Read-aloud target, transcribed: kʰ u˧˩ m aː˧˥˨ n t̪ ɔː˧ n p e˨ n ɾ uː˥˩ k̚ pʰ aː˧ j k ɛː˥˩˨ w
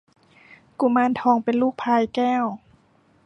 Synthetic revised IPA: k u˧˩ m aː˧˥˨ n t̪ʰ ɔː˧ ŋ p e˨ n l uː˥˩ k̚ pʰ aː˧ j k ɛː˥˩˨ w